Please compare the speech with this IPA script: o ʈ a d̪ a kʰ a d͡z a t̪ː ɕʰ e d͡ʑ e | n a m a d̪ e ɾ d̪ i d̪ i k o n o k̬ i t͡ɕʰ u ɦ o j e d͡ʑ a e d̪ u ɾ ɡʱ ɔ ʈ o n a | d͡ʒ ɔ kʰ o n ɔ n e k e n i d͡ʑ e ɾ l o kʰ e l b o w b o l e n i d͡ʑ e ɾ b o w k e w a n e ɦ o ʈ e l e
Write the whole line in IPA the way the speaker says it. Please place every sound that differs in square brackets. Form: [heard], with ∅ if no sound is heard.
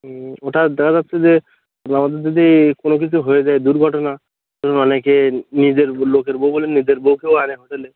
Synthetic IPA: o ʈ a d̪ [ɛ] kʰ a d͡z a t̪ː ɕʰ e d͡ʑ e | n a m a d̪ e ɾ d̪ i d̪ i k o n o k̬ i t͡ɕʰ u ɦ o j e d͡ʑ a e d̪ u ɾ ɡʱ ɔ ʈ o n a | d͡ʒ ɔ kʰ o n ɔ n e k e n i d͡ʑ e ɾ l o [k] e [ɾ] b o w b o l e n i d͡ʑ e ɾ b o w k e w a n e ɦ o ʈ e l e